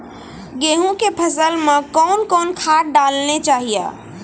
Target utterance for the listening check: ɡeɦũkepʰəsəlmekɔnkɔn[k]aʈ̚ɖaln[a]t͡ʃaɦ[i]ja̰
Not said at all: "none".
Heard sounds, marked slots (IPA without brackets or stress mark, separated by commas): kʰ, e, i